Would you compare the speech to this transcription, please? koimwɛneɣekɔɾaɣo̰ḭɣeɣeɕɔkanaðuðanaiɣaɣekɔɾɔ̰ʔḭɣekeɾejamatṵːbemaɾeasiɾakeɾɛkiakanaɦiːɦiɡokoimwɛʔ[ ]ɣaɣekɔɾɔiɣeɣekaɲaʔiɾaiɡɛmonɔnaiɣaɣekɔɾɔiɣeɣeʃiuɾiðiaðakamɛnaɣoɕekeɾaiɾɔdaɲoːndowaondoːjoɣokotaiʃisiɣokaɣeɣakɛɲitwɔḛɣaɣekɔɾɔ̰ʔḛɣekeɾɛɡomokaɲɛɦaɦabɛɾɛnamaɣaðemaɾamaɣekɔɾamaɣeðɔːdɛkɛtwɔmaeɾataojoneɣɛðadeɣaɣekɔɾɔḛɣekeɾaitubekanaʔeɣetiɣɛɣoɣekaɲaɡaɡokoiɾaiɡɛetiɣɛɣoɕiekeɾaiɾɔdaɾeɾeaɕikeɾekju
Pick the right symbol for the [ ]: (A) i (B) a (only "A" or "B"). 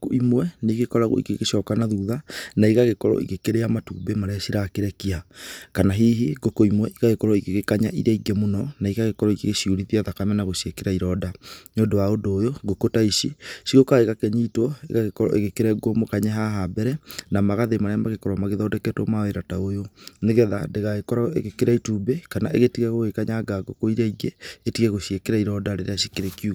A